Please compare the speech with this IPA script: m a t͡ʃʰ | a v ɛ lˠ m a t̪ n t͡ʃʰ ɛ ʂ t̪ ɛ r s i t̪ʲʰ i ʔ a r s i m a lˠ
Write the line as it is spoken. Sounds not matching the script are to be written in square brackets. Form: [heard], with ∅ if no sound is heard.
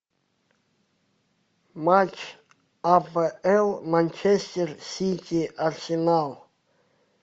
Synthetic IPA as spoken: m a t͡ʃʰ | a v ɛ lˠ m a [∅] n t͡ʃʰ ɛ [s] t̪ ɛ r s i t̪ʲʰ i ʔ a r s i [n] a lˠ